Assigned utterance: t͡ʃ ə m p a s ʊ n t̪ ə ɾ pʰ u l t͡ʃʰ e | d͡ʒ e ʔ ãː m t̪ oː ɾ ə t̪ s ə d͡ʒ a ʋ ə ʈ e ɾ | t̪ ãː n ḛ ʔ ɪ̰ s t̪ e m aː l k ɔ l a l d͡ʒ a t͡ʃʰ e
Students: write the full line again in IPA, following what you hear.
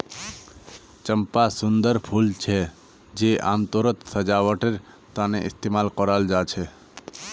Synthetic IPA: t͡ʃ ə m p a s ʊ n d̪ ə ɾ pʰ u l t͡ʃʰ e | d͡ʒ e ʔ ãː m t̪ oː ɾ ə t̪ s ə d͡ʒ a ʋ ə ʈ e ɾ | t̪ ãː n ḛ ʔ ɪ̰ s t̪ e m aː l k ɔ ɾ a l d͡ʒ a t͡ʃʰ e